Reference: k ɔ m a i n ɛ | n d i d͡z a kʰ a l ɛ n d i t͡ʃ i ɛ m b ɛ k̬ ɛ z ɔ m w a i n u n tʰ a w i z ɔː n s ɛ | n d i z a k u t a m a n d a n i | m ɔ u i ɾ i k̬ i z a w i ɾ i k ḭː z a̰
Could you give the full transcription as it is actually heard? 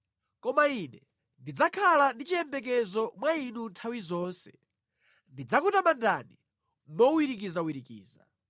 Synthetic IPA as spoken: k ɔ m a i n ɛ | n d i d͡z a kʰ a l a n d i t͡ʃ i ɛ m b ɛ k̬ ɛ z ɔ m w a i n u n tʰ a w i z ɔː n s ɛ | n d i d͡z a k u t a m a n d a n i | m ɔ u i ɾ i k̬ i z a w i ɾ i k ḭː z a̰